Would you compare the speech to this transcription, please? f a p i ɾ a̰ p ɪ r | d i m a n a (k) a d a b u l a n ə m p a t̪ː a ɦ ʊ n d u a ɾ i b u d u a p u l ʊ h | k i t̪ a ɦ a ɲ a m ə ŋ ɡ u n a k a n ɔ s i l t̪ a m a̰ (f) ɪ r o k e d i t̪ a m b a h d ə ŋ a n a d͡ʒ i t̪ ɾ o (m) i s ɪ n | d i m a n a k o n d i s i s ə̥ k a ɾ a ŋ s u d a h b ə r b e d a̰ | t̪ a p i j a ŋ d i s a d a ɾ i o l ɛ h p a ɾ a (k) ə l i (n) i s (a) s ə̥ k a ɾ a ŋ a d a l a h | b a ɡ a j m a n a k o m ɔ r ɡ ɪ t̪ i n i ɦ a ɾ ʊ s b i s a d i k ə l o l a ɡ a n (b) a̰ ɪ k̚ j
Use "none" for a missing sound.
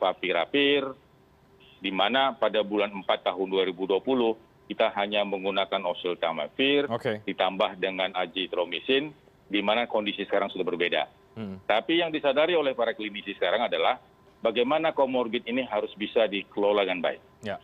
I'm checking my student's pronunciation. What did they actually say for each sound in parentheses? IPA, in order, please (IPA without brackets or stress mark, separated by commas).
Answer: p, f, m, k, n, i, b